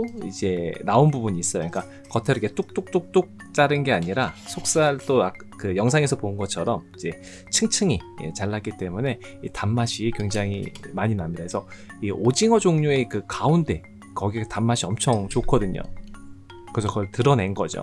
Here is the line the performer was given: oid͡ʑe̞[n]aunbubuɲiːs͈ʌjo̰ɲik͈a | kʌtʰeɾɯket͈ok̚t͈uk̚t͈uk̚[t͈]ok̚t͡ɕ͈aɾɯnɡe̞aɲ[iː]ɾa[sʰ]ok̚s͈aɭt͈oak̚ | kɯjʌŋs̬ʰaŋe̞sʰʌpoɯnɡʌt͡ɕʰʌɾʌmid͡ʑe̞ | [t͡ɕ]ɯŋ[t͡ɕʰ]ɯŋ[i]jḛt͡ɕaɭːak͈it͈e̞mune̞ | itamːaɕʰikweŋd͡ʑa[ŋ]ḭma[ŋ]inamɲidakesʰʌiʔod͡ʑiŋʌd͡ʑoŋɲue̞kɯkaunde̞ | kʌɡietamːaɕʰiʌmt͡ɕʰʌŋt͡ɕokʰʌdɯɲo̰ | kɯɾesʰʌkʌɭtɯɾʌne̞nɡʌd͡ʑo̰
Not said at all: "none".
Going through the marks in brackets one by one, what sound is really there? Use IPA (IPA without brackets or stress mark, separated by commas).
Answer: n, t͈, i, sʰ, t͡ɕʰ, t͡ɕʰ, i, ŋ, ɲ